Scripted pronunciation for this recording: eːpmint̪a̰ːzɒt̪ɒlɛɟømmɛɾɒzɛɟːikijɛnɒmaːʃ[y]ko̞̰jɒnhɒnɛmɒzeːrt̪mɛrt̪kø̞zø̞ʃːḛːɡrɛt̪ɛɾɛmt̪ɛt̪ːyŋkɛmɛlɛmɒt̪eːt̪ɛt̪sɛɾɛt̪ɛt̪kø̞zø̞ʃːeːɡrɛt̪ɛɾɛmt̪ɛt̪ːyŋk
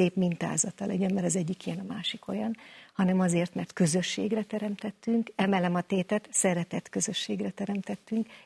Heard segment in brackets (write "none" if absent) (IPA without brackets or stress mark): i